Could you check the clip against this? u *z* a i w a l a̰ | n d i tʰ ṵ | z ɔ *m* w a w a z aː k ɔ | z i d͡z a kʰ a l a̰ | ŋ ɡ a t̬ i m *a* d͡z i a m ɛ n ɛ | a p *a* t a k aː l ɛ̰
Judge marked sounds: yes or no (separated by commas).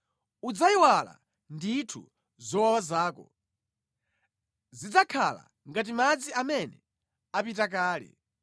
no, no, yes, no